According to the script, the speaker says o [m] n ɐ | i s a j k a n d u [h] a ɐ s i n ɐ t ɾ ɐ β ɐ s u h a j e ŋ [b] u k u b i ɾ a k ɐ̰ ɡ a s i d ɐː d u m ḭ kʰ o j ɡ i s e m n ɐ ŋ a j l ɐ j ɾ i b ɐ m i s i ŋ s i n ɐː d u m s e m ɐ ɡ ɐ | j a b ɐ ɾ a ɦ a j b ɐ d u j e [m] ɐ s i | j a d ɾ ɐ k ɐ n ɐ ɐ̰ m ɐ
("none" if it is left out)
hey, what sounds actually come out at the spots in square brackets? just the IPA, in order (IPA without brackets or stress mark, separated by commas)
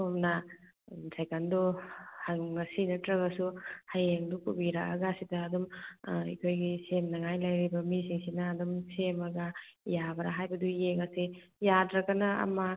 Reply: m, h, d, ŋ